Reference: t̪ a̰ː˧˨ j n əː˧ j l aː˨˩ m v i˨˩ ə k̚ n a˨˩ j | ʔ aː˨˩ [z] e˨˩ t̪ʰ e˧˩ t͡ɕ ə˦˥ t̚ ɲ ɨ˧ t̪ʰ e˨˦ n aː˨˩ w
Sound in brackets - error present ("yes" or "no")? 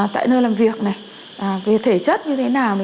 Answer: yes